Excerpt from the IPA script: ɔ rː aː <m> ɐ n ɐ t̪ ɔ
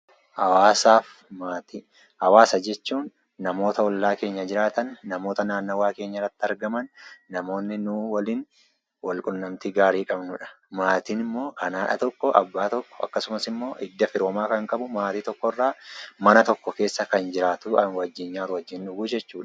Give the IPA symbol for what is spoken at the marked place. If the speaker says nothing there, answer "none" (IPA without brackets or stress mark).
m